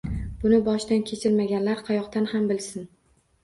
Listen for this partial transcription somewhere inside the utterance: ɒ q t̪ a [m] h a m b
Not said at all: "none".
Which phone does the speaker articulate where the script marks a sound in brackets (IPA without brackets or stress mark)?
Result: n